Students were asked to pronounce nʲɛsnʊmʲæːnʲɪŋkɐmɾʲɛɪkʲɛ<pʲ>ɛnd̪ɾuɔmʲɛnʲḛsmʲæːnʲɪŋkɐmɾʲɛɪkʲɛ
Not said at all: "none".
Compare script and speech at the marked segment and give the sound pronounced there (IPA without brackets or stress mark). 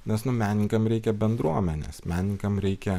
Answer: bʲ